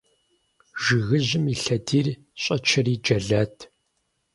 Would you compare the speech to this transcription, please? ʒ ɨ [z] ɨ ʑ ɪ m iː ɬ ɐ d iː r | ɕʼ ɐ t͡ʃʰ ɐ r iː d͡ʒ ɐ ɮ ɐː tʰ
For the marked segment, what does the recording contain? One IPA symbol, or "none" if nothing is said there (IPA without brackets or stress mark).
ɣ